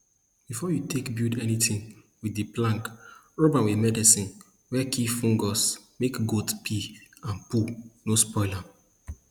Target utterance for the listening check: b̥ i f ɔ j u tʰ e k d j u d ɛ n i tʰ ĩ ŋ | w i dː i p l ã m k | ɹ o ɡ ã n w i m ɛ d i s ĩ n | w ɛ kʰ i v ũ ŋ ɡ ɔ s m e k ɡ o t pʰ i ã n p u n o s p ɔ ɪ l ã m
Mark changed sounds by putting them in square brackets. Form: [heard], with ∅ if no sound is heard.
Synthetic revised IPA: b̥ i f ɔ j u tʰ e k [b] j u d ɛ n i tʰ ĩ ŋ | w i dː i p l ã [ŋ] k | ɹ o [b] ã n w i m ɛ d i s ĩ n | w ɛ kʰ i [f] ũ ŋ ɡ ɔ s m e k ɡ o t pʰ i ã n p u n o s p ɔ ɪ l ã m